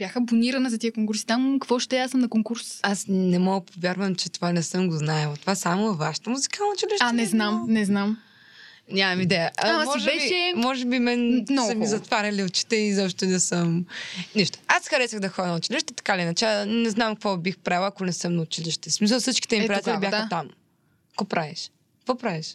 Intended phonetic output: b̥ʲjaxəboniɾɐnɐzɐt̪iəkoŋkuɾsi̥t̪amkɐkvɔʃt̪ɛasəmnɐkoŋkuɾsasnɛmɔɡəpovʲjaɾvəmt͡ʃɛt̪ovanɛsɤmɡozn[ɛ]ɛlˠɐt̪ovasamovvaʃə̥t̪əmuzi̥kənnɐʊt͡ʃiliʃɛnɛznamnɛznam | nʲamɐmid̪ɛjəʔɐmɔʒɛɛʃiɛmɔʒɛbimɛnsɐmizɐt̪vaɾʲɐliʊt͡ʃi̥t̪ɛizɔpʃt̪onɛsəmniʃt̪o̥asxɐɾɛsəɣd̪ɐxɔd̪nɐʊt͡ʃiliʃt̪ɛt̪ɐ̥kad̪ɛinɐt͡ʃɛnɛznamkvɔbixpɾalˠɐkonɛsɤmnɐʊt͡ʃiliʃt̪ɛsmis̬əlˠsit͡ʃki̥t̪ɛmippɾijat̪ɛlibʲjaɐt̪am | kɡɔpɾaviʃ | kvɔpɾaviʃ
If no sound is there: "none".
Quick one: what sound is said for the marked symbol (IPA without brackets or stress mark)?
a